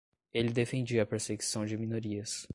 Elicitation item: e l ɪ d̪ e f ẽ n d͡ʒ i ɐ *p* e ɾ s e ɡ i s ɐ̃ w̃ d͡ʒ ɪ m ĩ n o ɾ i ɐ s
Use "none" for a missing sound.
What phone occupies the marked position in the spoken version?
p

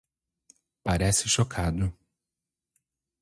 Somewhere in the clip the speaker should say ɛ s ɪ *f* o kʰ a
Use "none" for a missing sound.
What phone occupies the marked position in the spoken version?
ʃ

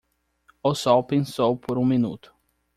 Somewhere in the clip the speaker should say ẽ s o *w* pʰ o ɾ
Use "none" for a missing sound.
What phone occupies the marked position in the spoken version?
w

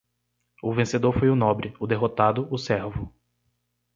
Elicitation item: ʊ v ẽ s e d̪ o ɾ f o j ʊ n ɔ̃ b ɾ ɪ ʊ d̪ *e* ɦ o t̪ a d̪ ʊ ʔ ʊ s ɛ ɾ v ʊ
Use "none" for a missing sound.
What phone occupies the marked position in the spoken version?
e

